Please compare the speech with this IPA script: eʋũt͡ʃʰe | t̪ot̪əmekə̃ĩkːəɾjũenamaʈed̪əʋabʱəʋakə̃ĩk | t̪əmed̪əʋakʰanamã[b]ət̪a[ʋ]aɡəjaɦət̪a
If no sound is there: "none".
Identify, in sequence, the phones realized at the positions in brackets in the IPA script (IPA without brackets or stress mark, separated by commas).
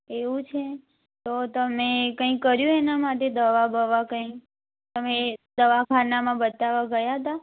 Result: b, ʋ